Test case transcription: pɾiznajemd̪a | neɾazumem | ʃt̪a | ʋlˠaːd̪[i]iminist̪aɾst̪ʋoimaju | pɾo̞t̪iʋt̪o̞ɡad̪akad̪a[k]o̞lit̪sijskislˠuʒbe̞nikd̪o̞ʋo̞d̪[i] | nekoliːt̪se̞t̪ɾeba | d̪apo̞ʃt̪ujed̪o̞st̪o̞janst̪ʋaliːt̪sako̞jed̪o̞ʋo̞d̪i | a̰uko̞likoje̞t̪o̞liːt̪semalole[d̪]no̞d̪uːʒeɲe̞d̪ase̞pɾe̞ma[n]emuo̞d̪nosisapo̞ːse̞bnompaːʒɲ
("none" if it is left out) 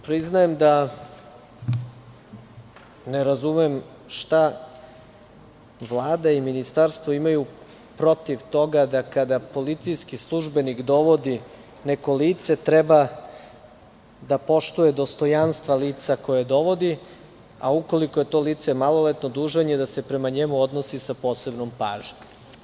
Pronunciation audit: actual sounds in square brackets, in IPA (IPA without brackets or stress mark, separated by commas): a, p, i, t̪, ɲ